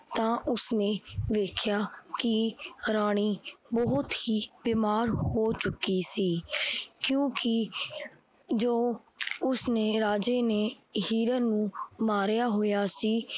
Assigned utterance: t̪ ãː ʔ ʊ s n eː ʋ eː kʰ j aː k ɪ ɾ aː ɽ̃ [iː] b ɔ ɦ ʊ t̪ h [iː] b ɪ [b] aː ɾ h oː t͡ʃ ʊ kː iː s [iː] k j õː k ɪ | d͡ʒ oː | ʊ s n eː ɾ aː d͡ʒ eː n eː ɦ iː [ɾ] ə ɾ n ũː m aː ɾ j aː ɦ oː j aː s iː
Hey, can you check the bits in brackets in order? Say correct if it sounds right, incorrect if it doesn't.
correct, correct, incorrect: m, correct, correct

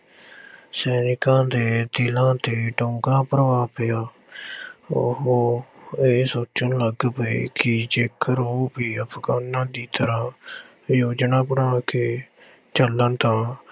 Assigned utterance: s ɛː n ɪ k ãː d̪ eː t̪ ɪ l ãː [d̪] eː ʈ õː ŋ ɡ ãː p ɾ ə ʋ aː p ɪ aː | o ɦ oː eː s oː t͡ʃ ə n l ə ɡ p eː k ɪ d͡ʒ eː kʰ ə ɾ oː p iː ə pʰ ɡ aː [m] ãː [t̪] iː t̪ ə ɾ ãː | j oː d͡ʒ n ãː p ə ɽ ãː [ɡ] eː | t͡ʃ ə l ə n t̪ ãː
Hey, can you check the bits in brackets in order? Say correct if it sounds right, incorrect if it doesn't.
incorrect: t̪, incorrect: n, incorrect: d̪, incorrect: k

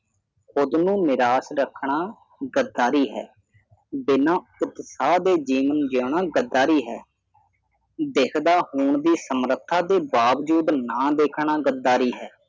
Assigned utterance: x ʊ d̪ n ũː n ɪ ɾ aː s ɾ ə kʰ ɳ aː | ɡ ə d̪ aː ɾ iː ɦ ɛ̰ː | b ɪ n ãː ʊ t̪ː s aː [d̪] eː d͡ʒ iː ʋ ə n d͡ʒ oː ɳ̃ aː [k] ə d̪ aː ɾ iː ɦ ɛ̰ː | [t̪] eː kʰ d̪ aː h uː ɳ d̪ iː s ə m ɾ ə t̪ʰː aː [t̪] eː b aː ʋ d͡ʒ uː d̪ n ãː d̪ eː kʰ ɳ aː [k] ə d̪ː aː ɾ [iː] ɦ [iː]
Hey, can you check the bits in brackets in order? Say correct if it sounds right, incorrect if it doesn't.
correct, incorrect: ɡ, incorrect: d̪, incorrect: d̪, incorrect: ɡ, correct, incorrect: ɛː

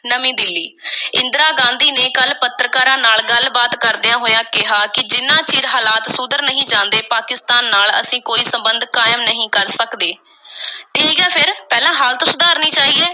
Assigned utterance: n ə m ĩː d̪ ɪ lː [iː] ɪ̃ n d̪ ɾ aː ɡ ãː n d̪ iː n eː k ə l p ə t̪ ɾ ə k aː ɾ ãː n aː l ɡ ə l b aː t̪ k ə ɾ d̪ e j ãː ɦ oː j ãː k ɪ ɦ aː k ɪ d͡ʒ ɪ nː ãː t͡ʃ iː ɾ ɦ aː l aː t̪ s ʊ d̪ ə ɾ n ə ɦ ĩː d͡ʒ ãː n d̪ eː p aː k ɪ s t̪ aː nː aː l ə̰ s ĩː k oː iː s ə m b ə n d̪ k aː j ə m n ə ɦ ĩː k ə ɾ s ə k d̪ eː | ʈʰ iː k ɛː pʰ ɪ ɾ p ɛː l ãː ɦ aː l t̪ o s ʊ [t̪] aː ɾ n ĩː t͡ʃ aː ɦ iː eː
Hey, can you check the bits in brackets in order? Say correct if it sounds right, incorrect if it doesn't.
correct, incorrect: d̪

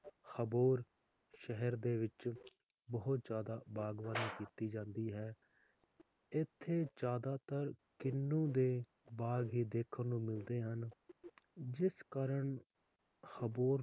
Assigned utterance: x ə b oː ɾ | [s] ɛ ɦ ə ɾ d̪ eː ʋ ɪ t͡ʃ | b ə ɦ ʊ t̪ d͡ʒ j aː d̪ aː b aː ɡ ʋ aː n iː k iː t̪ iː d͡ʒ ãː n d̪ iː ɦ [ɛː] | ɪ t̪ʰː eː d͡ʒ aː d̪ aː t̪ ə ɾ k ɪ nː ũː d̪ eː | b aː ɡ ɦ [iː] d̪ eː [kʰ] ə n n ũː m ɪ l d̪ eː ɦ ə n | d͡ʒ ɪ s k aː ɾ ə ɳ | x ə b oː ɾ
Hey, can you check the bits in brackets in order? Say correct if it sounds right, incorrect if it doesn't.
incorrect: ʃ, correct, correct, correct

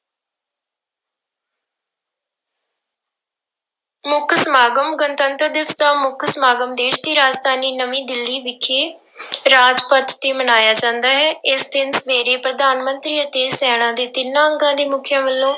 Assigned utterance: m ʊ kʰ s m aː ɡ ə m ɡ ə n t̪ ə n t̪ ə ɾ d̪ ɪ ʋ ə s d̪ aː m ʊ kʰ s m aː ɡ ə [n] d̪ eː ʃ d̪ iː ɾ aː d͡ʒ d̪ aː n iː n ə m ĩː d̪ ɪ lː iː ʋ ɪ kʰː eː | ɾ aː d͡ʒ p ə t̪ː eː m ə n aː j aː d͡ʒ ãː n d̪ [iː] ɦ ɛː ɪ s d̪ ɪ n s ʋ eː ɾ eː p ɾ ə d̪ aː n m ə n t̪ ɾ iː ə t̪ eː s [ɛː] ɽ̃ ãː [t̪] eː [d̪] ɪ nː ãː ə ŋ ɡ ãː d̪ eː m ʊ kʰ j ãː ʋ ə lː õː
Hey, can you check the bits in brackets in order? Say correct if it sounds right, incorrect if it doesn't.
incorrect: m, incorrect: aː, correct, incorrect: d̪, incorrect: t̪

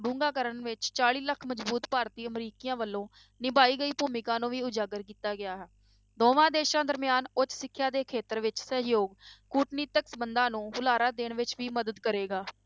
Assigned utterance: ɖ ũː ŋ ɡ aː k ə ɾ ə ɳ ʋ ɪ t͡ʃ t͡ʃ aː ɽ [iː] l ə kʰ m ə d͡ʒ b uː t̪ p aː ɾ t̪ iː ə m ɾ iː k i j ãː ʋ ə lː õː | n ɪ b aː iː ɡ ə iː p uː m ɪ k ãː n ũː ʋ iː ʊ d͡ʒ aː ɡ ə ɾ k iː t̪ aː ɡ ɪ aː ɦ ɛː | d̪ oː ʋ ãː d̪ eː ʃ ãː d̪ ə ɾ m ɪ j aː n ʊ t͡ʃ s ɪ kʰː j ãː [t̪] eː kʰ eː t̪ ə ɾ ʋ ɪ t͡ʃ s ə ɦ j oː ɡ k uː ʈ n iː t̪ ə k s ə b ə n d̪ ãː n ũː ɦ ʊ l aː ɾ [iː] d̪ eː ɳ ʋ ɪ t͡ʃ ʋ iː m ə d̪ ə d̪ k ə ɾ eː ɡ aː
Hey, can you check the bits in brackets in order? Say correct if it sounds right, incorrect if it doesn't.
correct, incorrect: d̪, incorrect: aː

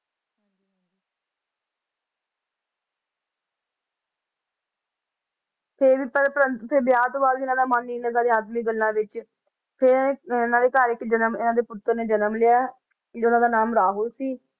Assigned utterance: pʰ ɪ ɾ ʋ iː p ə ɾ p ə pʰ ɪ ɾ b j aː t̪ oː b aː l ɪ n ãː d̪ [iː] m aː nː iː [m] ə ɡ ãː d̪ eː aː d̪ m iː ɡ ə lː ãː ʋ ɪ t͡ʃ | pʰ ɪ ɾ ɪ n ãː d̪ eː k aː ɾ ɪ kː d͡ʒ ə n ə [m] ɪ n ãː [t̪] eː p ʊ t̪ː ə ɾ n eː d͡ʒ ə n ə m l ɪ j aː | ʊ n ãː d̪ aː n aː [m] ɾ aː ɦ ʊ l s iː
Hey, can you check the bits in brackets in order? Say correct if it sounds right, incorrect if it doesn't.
incorrect: aː, incorrect: n, correct, incorrect: d̪, correct

